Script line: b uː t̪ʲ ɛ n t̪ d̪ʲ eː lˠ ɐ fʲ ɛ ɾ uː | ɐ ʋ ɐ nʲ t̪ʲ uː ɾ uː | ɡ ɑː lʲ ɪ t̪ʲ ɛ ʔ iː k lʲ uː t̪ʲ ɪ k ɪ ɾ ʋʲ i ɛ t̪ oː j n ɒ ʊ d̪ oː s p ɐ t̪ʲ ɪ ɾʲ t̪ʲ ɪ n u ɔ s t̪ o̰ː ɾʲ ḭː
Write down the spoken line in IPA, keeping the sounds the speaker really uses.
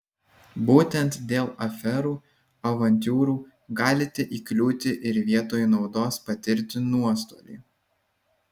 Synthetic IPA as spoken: b uː t̪ʲ ɛ n t̪ d̪ʲ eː lˠ ɐ fʲ ɛ ɾ uː | ɐ ʋ ɐ nʲ t̪ʲ uː ɾ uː | ɡ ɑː lʲ ɪ t̪ʲ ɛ ʔ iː k lʲ uː t̪ʲ ɪ ʔ ɪ ɾ ʋʲ i ɛ t̪ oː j n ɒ ʊ d̪ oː s p ɐ t̪ʲ ɪ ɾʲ t̪ʲ ɪ n u ɔ s t̪ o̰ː lʲ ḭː